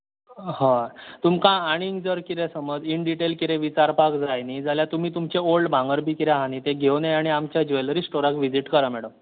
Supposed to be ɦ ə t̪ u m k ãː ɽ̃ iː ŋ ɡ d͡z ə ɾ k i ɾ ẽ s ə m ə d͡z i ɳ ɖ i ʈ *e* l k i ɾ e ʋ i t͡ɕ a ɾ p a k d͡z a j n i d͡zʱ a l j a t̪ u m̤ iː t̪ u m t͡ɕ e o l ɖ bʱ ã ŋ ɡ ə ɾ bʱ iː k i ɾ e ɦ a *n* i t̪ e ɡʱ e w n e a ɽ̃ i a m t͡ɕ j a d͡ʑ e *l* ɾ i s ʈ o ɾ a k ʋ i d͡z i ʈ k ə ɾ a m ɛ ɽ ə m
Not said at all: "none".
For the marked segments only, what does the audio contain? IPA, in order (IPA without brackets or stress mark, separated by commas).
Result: e, n, l